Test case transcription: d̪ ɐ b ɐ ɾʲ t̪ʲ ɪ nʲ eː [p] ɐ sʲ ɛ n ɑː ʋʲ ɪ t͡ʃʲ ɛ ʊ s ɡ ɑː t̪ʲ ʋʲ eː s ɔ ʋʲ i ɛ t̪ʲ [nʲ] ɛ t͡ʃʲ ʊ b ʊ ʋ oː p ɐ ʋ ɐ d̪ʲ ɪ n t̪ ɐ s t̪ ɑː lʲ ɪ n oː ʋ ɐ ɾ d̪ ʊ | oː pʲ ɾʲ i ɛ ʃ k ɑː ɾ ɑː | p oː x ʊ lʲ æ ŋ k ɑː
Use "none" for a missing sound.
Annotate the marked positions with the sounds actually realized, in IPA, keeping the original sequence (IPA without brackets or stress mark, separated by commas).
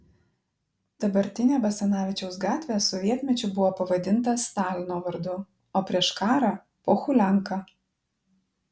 b, mʲ